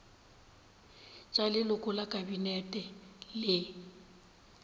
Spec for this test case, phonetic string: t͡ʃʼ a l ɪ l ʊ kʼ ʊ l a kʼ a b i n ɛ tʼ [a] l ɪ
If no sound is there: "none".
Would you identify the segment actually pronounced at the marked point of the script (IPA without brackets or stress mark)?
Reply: ɛ